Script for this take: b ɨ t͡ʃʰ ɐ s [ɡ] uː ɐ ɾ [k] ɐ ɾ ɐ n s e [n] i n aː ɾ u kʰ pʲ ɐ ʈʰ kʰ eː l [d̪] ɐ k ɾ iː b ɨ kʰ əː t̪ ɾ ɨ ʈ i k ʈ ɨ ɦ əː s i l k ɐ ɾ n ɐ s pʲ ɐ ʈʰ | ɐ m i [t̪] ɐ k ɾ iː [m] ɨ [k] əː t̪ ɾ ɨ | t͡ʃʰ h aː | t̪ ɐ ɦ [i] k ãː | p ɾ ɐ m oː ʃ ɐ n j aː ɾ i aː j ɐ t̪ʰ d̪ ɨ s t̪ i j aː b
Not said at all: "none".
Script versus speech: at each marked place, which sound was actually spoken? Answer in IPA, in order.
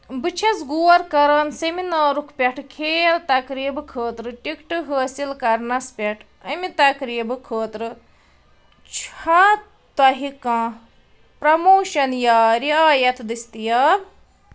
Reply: ɡ, k, m, t̪, t̪, b, kʰ, i

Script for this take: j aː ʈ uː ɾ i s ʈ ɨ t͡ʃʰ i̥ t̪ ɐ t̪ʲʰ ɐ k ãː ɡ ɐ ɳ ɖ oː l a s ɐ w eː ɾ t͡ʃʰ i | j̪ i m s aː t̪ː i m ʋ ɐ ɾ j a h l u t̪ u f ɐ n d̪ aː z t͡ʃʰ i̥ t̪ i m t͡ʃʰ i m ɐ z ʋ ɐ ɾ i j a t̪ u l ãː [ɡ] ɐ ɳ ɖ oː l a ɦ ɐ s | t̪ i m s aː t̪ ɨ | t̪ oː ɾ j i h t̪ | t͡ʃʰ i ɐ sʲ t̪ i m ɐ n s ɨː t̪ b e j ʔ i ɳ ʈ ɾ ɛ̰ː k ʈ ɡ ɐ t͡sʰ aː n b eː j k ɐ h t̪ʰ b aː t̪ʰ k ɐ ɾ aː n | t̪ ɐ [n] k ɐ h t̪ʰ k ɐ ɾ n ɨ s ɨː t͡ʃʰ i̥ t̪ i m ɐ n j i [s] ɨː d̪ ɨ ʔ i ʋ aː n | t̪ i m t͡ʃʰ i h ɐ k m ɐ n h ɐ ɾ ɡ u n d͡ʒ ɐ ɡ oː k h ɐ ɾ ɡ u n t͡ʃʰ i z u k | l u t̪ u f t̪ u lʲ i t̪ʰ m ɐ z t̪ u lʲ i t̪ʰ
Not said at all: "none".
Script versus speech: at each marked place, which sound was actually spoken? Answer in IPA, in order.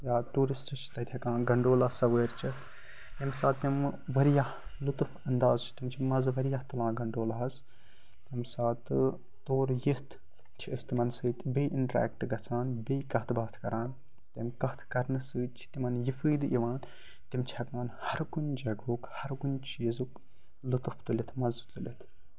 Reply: ɡ, m, f

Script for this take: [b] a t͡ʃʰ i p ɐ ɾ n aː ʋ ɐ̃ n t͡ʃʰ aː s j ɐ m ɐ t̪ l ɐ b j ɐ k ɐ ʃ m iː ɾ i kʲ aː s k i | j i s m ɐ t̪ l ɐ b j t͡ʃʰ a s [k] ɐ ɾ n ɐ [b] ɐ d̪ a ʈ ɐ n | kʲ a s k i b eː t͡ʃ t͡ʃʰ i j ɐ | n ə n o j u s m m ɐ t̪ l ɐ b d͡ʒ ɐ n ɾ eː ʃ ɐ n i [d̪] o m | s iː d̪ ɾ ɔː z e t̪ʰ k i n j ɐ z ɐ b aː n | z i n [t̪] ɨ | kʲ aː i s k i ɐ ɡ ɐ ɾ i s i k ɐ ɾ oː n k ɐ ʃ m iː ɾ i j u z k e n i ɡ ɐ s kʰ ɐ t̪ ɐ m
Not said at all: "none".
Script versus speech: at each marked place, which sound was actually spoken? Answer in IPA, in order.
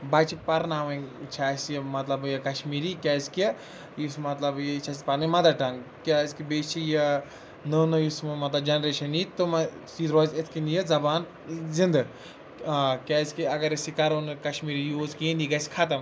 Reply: b, p, m, t̪, d̪

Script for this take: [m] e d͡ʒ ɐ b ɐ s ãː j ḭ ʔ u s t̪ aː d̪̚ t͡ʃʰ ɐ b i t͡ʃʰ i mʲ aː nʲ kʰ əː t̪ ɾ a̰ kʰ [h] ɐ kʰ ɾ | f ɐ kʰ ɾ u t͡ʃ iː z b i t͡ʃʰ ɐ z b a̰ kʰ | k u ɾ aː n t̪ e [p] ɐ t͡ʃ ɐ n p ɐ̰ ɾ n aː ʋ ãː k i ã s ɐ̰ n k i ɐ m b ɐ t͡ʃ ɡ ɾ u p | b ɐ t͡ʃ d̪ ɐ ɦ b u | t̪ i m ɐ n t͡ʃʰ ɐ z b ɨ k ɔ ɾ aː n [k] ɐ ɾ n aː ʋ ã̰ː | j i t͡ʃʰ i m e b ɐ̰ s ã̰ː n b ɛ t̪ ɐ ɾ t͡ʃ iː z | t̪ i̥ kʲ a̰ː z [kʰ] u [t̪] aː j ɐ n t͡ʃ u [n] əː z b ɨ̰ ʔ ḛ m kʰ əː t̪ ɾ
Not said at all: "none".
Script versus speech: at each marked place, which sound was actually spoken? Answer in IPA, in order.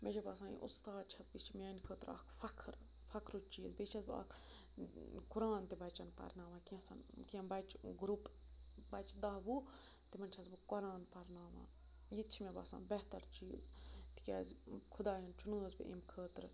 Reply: m, f, b, p, kʰ, d̪, n

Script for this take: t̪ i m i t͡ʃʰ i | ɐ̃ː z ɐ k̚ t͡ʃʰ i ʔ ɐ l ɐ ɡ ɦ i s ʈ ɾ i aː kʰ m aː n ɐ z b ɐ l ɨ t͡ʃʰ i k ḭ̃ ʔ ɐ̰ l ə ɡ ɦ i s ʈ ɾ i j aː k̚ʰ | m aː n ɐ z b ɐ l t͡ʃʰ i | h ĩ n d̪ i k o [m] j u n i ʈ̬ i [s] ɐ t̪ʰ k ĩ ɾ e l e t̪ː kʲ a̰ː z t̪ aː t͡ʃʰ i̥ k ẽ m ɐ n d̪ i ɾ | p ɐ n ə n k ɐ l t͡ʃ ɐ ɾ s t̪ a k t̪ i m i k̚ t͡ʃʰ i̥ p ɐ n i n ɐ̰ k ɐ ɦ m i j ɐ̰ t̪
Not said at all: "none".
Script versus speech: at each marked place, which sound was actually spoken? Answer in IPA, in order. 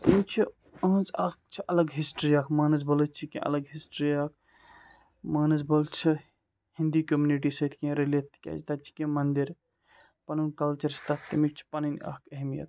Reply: m, s

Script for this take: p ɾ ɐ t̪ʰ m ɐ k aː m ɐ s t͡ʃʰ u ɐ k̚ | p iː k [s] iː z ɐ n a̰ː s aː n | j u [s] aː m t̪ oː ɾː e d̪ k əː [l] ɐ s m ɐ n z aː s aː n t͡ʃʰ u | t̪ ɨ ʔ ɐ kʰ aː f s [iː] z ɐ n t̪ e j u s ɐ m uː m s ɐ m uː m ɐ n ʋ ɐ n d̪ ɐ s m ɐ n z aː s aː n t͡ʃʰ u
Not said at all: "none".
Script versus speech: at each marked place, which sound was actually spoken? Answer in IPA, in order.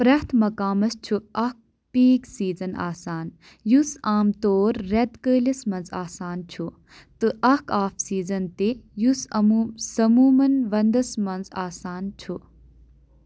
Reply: s, s, l, iː

